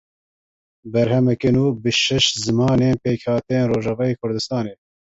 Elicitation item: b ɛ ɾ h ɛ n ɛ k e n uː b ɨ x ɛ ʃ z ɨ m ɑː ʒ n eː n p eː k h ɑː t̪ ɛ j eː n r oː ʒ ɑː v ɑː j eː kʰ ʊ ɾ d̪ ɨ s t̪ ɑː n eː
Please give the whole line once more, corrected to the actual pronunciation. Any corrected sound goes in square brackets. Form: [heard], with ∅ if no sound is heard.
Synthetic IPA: b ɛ ɾ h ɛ [m] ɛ k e n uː b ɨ [ʃ] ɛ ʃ z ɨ m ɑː [∅] n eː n p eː k h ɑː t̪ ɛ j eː n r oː ʒ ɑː v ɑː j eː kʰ ʊ ɾ d̪ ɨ s t̪ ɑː n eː

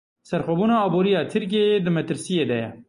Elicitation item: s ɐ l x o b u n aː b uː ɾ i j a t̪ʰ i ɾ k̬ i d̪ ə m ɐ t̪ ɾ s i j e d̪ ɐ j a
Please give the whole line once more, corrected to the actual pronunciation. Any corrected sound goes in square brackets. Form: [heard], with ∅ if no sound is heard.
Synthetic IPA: s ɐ [ɾ] x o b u n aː b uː ɾ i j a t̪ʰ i ɾ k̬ [e] d̪ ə m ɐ t̪ ɾ s i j e d̪ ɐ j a

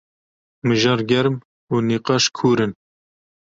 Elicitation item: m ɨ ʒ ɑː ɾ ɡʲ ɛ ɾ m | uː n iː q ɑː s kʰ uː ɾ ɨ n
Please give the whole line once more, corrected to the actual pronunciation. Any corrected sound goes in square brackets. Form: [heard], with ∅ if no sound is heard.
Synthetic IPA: m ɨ ʒ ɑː ɾ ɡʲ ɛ ɾ m | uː n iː q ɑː [ʃ] kʰ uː ɾ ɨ n

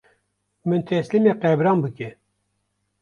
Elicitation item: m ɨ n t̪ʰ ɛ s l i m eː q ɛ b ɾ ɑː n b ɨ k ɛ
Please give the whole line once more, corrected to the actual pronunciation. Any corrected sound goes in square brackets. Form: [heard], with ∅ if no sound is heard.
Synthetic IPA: m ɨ n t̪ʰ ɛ s l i m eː q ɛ b ɾ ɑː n b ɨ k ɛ

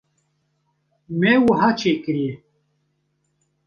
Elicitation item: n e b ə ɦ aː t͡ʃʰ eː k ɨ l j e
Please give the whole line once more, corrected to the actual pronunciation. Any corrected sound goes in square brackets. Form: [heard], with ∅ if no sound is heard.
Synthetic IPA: [m] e [w] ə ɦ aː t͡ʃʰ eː k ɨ [ɾ] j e

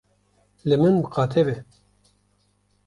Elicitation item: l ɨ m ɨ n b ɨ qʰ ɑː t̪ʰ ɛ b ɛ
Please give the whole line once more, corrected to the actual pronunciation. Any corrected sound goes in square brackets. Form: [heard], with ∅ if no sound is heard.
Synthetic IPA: l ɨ m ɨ n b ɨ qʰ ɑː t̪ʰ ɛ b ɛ

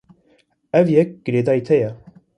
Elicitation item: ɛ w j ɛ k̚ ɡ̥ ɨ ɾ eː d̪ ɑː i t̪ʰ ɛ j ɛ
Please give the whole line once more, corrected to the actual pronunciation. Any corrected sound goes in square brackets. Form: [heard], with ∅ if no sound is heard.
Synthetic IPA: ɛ [v] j ɛ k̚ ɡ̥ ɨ ɾ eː d̪ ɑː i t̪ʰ ɛ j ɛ

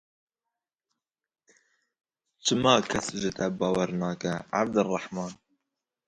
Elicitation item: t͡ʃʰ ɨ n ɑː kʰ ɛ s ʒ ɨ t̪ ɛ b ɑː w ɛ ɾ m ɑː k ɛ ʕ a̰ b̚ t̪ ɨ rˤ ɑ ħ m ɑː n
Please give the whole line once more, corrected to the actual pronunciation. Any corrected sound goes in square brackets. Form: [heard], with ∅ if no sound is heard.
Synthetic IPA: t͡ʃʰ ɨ [m] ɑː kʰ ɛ s ʒ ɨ t̪ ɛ b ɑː w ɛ ɾ [n] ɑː k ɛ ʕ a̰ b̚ [d̪] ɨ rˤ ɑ ħ m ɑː n

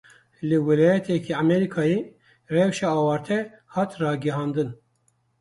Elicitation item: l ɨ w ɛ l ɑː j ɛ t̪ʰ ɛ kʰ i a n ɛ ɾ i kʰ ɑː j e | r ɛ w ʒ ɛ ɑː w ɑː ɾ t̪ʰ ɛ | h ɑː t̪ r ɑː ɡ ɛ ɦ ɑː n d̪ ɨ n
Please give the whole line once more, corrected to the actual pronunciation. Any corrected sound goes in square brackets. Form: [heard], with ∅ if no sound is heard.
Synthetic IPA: l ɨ w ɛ l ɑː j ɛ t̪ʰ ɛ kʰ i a [m] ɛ ɾ i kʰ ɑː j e | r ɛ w [ʃ] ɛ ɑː w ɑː ɾ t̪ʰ ɛ | h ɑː t̪ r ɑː ɡ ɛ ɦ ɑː n d̪ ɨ n

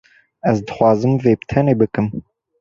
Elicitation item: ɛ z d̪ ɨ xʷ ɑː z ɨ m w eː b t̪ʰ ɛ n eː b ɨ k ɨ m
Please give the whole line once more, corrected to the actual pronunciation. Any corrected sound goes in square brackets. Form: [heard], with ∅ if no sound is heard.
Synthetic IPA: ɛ z d̪ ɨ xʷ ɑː z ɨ m [v] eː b t̪ʰ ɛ n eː b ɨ k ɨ m

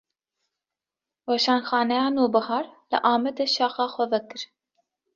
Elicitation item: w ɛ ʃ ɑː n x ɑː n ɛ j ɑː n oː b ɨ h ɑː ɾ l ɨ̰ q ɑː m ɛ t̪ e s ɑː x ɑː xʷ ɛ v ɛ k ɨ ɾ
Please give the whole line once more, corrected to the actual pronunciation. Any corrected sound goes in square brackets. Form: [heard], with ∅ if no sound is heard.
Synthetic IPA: w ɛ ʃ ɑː n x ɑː n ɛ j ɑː n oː b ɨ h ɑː ɾ l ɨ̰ [ʔ] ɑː m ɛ [d̪] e [ʃ] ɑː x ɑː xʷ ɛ v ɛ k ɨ ɾ

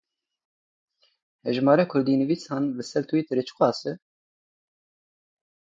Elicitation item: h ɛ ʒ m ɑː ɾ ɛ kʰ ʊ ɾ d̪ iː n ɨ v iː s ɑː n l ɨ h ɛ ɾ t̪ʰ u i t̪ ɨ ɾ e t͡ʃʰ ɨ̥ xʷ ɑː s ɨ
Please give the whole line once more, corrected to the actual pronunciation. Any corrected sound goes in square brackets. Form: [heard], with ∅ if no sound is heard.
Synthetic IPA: h ɛ ʒ m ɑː ɾ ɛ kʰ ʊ ɾ d̪ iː n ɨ v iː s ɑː n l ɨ [s] ɛ ɾ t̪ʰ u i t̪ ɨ ɾ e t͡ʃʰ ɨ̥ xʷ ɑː s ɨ

